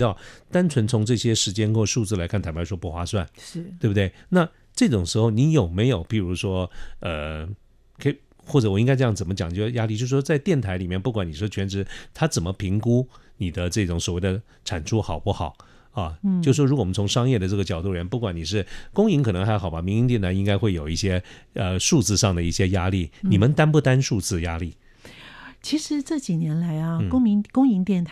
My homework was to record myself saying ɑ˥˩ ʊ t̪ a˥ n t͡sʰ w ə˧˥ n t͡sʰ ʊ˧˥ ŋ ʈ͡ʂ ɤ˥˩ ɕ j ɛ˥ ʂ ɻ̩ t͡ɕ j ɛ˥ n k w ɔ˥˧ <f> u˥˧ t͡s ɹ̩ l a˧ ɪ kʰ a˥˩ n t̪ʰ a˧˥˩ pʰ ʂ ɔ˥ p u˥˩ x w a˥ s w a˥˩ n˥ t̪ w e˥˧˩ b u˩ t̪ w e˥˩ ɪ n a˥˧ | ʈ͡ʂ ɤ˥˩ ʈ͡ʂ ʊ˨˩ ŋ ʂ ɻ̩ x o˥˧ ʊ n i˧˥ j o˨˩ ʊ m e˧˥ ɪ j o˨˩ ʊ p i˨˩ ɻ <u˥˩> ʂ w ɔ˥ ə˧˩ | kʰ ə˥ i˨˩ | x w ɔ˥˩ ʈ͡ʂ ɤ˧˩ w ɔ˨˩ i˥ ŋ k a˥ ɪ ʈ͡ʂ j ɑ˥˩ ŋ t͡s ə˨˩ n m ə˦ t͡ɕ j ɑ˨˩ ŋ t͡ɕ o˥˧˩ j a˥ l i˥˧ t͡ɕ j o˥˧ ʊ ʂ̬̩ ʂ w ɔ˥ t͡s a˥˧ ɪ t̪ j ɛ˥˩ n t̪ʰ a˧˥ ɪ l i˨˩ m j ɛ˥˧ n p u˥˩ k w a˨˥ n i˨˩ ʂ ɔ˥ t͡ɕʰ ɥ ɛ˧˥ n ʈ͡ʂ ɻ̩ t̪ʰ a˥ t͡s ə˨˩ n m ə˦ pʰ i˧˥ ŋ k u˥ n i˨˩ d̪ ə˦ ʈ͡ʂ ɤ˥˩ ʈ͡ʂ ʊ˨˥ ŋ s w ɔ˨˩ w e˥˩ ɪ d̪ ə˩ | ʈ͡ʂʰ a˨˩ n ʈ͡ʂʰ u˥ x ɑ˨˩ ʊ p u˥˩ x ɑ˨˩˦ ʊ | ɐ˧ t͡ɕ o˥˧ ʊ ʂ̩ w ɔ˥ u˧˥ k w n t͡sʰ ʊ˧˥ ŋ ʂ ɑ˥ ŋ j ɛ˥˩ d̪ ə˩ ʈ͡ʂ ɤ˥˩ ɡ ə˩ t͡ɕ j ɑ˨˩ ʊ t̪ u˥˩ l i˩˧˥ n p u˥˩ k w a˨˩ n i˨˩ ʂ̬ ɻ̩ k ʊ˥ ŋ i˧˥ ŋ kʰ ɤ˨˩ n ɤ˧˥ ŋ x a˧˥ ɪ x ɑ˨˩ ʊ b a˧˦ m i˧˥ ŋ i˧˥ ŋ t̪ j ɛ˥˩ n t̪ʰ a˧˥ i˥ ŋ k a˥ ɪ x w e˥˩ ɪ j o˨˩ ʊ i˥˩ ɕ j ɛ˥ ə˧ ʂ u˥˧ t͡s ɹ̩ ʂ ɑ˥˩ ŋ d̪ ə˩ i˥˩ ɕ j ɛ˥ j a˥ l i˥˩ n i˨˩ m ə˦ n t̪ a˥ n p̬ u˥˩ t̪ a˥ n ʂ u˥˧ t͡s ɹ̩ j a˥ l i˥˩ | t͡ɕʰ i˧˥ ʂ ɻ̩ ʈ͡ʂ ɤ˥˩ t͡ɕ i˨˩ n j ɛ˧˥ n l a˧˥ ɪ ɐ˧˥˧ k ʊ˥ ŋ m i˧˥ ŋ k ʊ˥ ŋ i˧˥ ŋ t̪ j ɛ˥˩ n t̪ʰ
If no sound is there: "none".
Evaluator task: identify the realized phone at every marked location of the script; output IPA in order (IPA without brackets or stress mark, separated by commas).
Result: ʂ, u˧˥